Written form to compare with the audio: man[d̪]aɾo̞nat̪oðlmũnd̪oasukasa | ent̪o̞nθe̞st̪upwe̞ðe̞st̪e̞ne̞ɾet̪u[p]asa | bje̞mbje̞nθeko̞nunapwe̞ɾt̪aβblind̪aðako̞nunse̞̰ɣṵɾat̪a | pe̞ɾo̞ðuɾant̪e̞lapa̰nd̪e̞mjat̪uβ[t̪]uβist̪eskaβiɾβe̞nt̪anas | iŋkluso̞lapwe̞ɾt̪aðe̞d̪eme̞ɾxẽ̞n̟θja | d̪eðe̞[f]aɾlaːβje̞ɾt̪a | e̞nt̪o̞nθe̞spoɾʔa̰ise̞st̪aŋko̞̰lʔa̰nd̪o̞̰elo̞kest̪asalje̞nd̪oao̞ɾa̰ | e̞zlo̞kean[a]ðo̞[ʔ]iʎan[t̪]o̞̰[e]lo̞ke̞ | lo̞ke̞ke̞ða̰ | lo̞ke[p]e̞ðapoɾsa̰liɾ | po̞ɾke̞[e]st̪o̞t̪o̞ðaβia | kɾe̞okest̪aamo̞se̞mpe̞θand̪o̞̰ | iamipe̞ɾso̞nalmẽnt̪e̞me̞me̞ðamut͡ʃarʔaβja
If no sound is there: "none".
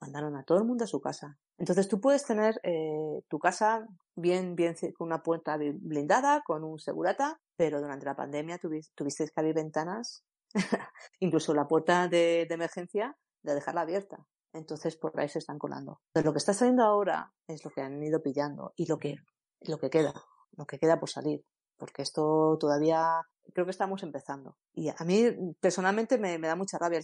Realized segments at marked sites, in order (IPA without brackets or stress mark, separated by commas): d̪, k, t̪, x, i, p, d̪, i, k, e